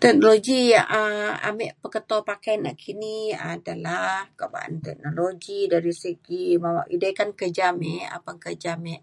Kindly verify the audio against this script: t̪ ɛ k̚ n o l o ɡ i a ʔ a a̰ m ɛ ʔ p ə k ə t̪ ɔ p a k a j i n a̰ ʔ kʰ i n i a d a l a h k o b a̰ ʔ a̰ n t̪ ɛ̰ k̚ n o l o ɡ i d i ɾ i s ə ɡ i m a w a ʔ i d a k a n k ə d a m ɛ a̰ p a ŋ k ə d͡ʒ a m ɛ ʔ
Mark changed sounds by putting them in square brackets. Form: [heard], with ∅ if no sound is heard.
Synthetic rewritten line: t̪ ɛ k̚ n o l o ɡ i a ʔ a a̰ m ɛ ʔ p ə k ə t̪ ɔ p a k a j [a] n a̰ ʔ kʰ i n i a d a l a h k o b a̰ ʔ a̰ n t̪ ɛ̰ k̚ n o l o ɡ i d [a] ɾ i s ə ɡ i m a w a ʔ i d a k a n k ə [d͡ʒ] a m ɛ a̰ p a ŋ k ə d͡ʒ a m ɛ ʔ

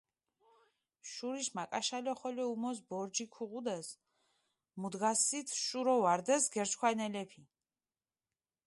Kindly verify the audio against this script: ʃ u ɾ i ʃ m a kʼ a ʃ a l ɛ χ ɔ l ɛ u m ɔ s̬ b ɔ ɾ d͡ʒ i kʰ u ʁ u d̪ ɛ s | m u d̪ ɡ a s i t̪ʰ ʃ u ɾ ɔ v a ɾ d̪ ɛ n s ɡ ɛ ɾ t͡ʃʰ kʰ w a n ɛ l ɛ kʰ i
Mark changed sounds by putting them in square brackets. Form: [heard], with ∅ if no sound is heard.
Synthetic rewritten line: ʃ u ɾ i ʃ m a kʼ a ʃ a l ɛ χ ɔ l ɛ u m ɔ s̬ b ɔ ɾ d͡ʒ i kʰ u ʁ u d̪ ɛ s | m u d̪ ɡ a s i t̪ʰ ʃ u ɾ ɔ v a ɾ d̪ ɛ [∅] s ɡ ɛ ɾ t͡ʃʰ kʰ w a n ɛ l ɛ [pʰ] i

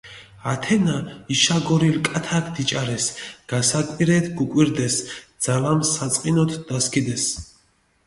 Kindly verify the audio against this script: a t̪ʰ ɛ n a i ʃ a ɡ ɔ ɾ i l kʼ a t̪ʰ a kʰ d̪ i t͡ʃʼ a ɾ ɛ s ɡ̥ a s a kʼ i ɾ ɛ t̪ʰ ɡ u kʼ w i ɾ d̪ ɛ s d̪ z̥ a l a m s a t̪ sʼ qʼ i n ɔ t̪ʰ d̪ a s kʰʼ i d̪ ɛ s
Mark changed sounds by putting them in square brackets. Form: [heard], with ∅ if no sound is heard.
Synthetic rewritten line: a t̪ʰ ɛ n a i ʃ a ɡ ɔ ɾ i l kʼ a t̪ʰ a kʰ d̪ i t͡ʃʼ a ɾ ɛ s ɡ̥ a s a kʼ i ɾ ɛ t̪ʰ ɡ u kʼ w i ɾ d̪ ɛ s d̪ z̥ a l a m s a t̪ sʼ qʼ i n ɔ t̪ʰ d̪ a s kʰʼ i d̪ ɛ s

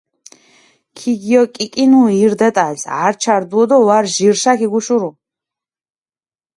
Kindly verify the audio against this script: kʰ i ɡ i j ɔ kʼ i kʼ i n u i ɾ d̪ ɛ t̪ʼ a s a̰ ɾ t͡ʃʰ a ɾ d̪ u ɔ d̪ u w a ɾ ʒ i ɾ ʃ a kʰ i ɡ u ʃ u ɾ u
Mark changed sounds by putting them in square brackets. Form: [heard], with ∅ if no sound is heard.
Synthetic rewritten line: kʰ i ɡ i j ɔ kʼ i kʼ i n u i ɾ d̪ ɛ t̪ʼ a s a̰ ɾ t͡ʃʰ a ɾ d̪ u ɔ d̪ [ɔ] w a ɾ ʒ i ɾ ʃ a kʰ i ɡ u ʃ u ɾ u

